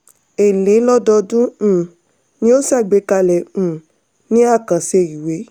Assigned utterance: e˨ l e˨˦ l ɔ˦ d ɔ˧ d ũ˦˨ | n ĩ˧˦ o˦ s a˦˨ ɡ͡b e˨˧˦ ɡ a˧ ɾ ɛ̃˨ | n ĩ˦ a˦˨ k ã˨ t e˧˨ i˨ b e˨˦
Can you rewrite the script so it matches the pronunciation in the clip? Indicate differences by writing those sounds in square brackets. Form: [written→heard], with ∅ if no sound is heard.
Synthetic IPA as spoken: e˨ l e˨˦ l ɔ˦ d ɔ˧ d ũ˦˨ | n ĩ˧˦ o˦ s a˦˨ ɡ͡b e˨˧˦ [ɡ→k] a˧ [ɾ→l] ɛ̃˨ | n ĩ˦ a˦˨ k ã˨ [t→s] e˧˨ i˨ [b→w] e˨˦